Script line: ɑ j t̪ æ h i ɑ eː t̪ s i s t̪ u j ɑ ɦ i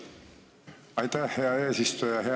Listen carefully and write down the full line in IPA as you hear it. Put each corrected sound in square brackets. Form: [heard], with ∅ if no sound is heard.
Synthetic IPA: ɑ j t̪ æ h [e] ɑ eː [∅] s i s t̪ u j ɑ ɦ [e]

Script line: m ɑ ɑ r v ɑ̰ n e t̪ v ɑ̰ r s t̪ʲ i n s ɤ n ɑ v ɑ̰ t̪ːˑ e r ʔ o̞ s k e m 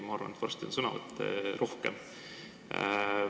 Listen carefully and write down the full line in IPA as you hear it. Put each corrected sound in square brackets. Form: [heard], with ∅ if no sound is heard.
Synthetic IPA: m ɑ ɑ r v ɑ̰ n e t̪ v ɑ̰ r s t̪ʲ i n s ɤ n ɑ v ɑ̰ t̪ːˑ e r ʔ o̞ [h] k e m

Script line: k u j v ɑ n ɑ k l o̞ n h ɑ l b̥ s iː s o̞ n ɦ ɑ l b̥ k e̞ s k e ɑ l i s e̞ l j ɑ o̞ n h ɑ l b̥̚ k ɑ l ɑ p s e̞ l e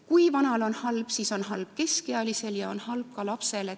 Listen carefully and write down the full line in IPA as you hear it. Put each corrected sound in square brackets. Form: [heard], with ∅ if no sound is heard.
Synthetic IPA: k u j v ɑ n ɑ [∅] l o̞ n h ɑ l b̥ s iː s o̞ n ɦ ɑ l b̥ k e̞ s k e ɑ l i s e̞ l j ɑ o̞ n h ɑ l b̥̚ k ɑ l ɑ p s e̞ l e

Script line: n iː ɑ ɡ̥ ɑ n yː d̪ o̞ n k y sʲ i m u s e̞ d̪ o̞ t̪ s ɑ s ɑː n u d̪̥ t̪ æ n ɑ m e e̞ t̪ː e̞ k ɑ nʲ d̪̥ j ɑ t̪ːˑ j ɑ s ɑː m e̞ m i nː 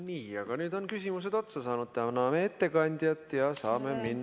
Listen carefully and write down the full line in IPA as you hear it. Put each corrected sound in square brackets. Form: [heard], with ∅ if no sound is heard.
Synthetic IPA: n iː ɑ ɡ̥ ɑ n yː d̪ o̞ n k y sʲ i m u s e̞ d̪ o̞ t̪ s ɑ s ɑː n u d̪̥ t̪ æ n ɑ m e e̞ t̪ː e̞ k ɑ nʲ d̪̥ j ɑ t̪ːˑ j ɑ s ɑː m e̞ m i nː

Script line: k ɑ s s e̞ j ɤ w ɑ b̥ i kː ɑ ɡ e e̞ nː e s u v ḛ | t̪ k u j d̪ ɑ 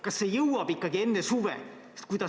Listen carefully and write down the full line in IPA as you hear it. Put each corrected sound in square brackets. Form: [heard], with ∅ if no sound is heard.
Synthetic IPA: k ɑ s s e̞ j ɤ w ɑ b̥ i kː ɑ ɡ [i] e̞ nː e s u v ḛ | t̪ k u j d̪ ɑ

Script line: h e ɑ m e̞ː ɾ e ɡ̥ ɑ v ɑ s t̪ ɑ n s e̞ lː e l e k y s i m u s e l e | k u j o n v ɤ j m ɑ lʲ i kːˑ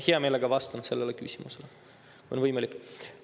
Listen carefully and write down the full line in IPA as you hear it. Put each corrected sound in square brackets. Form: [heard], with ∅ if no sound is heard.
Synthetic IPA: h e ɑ m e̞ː [l] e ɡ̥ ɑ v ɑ s t̪ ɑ n s e̞ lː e l e k y s i m u s e l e | k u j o n v ɤ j m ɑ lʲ i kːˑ

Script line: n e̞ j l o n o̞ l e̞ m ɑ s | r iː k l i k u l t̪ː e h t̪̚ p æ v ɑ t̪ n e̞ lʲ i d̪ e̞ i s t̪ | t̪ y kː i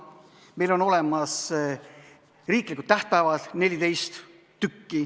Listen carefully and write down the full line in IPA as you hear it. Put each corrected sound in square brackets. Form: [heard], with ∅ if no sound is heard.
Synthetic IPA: [m] e̞ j l o n o̞ l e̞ m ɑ s | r iː k l i k u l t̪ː [æ] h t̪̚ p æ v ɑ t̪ n e̞ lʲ i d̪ e̞ [j] s t̪ | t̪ y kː i

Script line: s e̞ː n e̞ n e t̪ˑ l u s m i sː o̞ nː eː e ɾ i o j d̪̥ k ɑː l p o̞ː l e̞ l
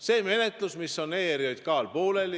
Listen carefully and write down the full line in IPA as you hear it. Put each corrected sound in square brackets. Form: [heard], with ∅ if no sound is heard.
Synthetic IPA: s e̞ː [m] e̞ n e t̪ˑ l u s m i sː o̞ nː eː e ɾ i o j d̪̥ k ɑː l p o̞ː l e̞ l

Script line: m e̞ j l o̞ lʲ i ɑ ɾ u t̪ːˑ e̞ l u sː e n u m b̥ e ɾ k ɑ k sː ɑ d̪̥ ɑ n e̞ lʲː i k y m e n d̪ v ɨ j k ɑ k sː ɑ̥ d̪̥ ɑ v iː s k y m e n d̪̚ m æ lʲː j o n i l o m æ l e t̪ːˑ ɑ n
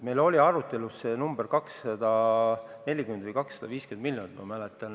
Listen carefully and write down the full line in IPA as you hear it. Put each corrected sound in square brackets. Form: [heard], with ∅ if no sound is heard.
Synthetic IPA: m e̞ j l o̞ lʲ i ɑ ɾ u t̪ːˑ e̞ l u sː e n u m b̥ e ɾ k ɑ k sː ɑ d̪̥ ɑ n e̞ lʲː i k y m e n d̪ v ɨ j k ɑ k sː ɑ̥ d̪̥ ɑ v iː s k y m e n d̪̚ m [i] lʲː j o n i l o m æ l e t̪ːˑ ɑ n

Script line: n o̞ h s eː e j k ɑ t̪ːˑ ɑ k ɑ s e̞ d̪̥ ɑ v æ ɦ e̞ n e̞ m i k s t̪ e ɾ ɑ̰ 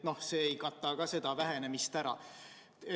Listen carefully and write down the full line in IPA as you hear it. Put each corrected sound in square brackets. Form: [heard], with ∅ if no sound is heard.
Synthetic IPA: n o̞ h s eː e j k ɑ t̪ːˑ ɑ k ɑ s e̞ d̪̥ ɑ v æ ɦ e̞ n e̞ m i [∅] s t̪ [æ] ɾ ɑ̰

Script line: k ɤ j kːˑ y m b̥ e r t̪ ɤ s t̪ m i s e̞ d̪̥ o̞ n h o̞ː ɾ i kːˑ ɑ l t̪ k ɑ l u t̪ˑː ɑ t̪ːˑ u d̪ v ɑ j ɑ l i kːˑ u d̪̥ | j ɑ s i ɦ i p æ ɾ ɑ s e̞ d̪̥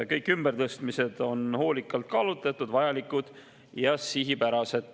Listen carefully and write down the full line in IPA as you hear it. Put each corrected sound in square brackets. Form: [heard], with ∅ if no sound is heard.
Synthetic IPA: k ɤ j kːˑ y m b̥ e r t̪ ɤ s t̪ m i s e̞ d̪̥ o̞ n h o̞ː [l] i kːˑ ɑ l t̪ k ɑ l u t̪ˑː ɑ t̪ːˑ u d̪ v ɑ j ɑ l i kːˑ u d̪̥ | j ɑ s i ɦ i p æ ɾ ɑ s e̞ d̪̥

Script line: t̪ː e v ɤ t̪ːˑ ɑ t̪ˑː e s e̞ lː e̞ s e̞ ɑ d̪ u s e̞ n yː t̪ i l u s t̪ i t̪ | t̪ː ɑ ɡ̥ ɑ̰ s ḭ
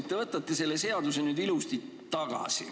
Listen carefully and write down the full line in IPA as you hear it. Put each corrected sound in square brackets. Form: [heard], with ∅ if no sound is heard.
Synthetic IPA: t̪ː e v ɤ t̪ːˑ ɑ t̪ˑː e s e̞ lː e̞ s e̞ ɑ d̪ u s e̞ n yː [d̪] i l u s t̪ i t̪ | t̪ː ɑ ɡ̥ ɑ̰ s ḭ

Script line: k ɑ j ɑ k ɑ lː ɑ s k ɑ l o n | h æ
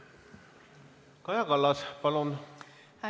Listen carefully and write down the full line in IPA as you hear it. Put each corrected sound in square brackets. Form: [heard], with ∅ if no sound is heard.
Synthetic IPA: k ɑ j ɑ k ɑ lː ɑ s [p] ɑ l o n | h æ

